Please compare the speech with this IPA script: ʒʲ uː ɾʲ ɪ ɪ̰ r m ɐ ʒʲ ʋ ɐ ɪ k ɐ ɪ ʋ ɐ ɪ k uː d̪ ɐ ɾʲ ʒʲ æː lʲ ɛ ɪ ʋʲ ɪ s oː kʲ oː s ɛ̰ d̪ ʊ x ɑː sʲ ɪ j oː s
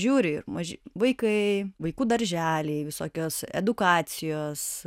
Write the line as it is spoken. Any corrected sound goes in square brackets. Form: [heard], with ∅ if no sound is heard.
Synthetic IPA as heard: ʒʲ uː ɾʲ ɪ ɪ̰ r m ɐ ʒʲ ʋ ɐ ɪ k ɐ ɪ ʋ ɐ ɪ k uː d̪ ɐ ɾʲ ʒʲ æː lʲ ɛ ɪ ʋʲ ɪ s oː kʲ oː s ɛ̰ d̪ ʊ [k] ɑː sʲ ɪ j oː s